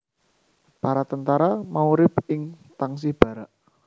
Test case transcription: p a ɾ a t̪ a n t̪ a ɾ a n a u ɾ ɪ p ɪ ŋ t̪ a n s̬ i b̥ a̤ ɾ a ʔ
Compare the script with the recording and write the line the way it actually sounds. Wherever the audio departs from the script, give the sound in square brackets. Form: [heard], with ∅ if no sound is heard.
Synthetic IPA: p a ɾ a t̪ [ə] n t̪ a ɾ a [m] a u ɾ ɪ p ɪ ŋ t̪ a [ŋ] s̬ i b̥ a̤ ɾ a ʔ